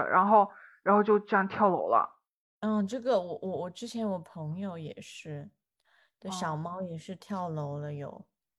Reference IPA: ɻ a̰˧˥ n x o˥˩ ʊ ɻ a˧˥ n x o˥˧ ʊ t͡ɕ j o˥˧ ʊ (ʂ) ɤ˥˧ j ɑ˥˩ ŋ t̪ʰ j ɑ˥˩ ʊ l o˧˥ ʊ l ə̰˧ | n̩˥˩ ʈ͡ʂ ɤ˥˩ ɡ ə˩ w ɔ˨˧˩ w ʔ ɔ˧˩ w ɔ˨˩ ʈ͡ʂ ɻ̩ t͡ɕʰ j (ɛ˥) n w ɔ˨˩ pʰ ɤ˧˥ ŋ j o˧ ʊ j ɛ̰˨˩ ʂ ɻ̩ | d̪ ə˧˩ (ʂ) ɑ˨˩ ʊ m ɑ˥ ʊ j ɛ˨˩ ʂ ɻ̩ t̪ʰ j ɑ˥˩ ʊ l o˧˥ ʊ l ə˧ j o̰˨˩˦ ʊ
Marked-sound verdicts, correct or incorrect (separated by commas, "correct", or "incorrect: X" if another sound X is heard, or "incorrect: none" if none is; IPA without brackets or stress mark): incorrect: ʈ͡ʂ, incorrect: ɛ˧˥, incorrect: ɕ